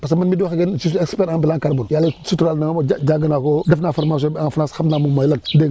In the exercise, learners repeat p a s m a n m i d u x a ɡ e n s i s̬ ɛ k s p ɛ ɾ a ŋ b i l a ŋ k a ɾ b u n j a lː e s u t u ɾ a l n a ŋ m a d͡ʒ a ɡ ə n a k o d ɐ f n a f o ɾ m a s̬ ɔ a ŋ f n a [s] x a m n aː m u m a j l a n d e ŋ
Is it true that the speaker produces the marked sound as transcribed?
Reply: yes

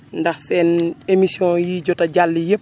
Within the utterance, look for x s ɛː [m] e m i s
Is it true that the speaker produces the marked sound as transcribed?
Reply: no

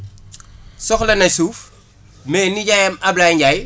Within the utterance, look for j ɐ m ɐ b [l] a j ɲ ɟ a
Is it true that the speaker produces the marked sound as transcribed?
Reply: yes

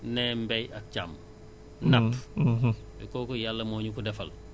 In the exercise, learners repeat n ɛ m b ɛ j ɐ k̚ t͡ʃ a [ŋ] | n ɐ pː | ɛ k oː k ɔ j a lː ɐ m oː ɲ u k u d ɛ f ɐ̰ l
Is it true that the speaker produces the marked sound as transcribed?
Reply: no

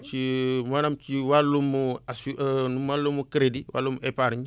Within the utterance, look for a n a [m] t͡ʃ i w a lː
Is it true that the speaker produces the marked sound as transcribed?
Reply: yes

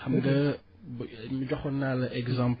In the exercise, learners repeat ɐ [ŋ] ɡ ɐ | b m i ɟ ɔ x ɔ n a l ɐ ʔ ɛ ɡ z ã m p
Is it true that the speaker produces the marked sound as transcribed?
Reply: no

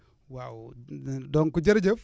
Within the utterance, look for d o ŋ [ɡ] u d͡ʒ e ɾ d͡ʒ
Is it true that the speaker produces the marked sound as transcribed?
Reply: no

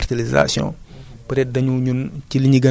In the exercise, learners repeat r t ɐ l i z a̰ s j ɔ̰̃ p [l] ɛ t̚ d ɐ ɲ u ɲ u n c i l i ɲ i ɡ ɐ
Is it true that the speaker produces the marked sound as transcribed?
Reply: no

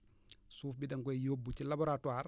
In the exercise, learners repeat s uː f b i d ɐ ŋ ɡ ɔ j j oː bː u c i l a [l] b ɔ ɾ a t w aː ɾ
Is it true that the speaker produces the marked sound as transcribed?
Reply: no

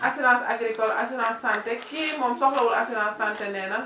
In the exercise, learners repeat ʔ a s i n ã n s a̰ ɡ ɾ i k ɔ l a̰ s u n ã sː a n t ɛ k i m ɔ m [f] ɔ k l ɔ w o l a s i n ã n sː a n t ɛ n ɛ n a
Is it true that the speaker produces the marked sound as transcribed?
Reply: no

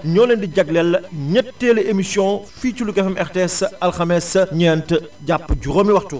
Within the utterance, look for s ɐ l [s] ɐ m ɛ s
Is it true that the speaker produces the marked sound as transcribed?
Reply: no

